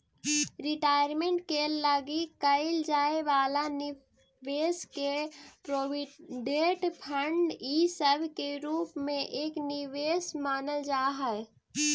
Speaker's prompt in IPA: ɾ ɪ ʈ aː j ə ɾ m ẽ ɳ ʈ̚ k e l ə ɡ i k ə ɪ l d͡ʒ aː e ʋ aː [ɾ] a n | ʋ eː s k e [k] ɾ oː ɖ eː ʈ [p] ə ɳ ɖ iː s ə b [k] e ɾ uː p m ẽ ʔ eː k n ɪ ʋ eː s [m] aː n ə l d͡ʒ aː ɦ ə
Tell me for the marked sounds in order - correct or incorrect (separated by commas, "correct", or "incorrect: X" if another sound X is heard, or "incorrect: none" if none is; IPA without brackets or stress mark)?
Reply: incorrect: l, incorrect: p, incorrect: pʰ, correct, correct